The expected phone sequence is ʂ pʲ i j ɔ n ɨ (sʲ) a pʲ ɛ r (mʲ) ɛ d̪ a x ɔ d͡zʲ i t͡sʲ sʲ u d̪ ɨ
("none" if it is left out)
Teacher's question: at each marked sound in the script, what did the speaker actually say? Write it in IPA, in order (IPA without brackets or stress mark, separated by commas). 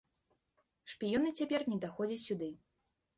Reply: t͡sʲ, nʲ